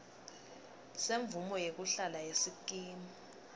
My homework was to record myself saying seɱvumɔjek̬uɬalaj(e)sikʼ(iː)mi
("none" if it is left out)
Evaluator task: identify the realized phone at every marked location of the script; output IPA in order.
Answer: e, iː

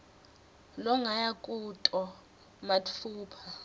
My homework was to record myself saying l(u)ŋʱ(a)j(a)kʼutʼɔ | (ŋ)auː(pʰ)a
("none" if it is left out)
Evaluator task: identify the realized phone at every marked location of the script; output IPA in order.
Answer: ɔ, a, a, m, pʰ

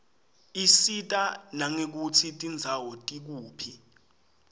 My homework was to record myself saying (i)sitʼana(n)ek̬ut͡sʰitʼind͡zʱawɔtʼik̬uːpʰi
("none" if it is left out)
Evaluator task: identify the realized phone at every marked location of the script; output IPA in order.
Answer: i, ŋ

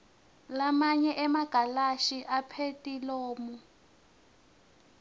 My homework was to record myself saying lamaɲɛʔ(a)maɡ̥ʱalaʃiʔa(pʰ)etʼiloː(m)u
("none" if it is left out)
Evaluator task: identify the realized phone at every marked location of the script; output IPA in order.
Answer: ɛ, pʰ, m

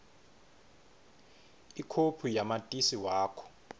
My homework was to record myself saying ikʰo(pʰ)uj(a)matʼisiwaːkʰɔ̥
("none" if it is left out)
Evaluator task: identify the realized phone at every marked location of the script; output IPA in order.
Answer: pʰ, a

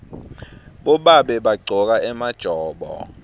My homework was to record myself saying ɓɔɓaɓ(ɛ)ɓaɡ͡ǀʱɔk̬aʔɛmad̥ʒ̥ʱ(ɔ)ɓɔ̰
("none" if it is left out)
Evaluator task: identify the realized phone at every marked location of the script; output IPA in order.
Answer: ɛ, ɔː

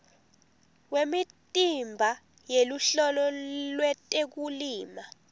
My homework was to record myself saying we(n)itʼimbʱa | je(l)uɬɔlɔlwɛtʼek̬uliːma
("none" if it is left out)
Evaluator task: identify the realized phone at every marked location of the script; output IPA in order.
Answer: m, l

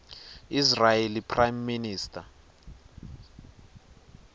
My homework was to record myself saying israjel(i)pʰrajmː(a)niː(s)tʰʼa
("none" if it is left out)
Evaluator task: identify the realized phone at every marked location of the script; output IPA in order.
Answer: i, i, s

